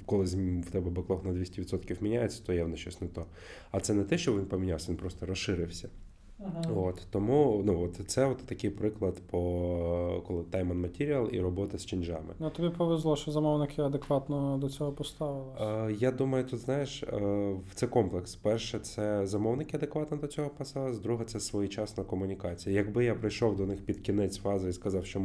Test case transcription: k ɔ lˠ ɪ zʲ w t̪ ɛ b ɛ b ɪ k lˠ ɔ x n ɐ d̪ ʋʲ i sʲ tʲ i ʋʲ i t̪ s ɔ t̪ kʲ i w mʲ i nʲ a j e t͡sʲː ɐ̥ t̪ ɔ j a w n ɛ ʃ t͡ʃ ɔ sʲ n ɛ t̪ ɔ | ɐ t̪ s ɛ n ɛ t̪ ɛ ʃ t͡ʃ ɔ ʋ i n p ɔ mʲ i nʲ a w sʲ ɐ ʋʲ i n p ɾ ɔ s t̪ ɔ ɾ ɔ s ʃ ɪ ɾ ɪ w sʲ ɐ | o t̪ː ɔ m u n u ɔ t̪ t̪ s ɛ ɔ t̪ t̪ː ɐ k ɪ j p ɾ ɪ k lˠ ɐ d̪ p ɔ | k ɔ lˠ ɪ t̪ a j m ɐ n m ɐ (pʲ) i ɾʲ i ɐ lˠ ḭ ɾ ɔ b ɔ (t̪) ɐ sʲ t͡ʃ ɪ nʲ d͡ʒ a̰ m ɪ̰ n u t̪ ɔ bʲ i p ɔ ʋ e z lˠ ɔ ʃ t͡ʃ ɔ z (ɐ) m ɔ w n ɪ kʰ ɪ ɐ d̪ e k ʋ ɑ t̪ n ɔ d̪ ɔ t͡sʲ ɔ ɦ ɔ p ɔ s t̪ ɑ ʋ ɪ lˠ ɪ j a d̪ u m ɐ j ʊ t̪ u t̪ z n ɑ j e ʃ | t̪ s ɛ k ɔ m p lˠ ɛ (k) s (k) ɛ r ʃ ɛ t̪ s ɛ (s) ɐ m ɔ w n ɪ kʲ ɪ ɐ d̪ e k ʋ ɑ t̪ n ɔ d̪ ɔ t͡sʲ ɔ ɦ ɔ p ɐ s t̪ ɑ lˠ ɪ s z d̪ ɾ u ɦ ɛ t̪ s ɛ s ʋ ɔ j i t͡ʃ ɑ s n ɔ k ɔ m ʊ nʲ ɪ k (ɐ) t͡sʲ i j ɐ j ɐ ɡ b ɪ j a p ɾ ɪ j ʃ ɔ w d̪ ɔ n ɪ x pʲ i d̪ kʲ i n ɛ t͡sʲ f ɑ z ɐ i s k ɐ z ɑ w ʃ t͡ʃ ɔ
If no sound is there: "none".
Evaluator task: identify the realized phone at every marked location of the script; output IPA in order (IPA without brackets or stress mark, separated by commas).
tʲ, t̪, ɐ, k, p, z, ɑ